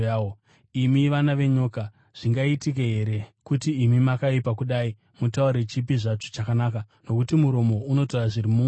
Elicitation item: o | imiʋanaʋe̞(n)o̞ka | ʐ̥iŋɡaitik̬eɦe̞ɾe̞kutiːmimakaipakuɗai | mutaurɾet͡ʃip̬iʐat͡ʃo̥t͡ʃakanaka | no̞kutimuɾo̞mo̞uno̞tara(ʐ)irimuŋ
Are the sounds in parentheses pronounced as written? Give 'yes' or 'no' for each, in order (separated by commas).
no, yes